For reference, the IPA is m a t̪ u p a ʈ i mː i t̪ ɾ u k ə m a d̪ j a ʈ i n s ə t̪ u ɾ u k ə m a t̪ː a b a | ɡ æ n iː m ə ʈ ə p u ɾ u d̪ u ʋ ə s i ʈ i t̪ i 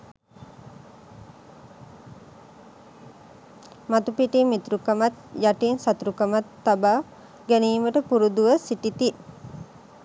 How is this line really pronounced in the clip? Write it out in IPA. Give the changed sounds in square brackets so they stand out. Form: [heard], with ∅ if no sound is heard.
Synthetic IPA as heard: m a t̪ u p [i] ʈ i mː i t̪ ɾ u k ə m a [t̪] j a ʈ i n s [a] t̪ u ɾ u k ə m a t̪ː a b a | ɡ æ n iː m ə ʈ ə p u ɾ u d̪ u ʋ ə s i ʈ i t̪ i